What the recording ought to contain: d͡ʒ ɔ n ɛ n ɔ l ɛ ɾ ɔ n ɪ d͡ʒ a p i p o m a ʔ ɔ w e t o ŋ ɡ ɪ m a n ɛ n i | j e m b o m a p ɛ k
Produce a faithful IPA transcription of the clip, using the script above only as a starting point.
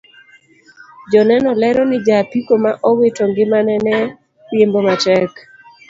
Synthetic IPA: d͡ʒ ɔ n ɛ n ɔ l ɛ ɾ ɔ n ɪ d͡ʒ a p i k o m a ʔ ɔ w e t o ŋ ɡ ɪ m a n ɛ n ɛ | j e m b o m a t ɛ k